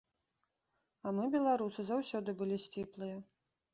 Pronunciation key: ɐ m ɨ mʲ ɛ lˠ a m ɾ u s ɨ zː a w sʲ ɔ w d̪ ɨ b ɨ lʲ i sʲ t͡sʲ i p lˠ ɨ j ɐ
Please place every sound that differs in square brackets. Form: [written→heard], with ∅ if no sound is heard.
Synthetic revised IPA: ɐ m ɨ [mʲ→bʲ] ɛ lˠ a [m→∅] ɾ u s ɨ [zː→z] a w sʲ ɔ [w→∅] d̪ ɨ b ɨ lʲ i sʲ t͡sʲ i p lˠ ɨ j ɐ